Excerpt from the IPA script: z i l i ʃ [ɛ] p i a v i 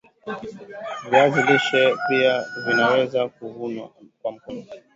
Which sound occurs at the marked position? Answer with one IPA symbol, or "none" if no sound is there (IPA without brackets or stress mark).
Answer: ɛ